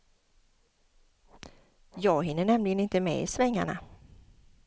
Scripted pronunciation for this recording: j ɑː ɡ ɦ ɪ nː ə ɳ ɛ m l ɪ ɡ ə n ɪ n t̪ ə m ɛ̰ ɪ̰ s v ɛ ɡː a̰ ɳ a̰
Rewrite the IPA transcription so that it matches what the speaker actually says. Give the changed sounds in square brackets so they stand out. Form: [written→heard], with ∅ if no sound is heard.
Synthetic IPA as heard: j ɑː ɡ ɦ ɪ nː ə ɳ ɛ m l ɪ ɡ ə n ɪ n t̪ ə m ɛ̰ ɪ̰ s v ɛ [ɡː→ŋː] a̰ ɳ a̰